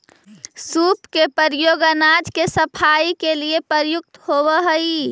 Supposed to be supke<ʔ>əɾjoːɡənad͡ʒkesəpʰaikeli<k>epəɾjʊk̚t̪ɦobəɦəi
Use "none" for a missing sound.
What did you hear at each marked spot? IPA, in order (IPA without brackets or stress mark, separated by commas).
p, none